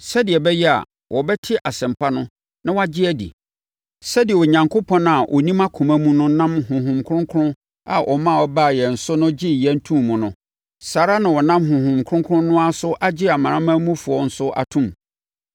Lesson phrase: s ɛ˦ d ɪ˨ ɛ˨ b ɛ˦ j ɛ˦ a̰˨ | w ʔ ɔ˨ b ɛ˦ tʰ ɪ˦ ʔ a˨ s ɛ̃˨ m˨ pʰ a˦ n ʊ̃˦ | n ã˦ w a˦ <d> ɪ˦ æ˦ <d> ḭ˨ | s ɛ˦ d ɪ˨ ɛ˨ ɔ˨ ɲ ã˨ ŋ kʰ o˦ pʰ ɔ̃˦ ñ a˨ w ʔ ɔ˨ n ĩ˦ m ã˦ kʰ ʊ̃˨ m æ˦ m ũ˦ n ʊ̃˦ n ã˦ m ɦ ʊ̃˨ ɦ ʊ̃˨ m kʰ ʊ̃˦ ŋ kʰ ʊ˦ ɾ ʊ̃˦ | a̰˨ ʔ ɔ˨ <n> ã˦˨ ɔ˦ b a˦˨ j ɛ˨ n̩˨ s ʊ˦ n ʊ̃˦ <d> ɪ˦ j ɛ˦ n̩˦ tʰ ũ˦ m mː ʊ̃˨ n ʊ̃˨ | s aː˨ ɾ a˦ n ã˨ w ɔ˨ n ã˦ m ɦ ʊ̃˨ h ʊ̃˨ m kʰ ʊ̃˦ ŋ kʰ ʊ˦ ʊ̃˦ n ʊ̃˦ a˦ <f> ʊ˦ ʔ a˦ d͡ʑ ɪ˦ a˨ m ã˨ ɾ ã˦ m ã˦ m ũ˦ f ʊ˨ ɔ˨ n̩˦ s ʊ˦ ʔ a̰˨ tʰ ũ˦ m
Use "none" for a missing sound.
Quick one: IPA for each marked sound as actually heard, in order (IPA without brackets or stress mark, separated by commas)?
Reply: d͡ʑ, d, m, d͡ʑ, s